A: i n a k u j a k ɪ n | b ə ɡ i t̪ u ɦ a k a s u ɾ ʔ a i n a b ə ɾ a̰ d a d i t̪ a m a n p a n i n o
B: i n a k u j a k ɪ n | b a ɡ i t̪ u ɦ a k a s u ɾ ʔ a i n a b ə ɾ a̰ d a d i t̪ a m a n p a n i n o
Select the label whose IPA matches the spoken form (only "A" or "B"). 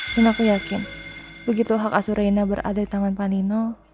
A